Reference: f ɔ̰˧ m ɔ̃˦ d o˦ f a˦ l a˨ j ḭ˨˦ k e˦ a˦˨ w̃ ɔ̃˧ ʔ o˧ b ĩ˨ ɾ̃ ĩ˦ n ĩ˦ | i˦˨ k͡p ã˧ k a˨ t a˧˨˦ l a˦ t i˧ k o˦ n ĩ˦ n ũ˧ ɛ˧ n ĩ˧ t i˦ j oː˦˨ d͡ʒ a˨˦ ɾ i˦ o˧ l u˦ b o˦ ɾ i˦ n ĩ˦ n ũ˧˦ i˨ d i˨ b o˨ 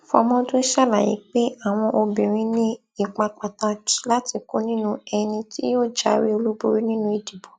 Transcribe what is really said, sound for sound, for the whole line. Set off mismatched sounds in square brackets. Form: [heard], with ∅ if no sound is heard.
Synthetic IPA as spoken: f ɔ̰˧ m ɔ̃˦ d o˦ [ʃ] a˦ l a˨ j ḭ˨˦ [k͡p] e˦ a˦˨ w̃ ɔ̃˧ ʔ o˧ b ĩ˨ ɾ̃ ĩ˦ n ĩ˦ | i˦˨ k͡p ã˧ [k͡p] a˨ t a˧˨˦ l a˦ t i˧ k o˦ n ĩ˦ n ũ˧ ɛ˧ n ĩ˧ t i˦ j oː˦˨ d͡ʒ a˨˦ ɾ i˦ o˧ l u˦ b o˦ ɾ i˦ n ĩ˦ n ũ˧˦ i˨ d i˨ b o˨